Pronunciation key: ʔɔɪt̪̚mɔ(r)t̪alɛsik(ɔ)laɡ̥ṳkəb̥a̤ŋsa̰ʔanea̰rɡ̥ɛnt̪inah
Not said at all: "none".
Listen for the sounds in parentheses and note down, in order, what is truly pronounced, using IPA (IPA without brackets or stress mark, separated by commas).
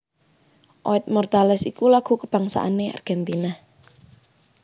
r, u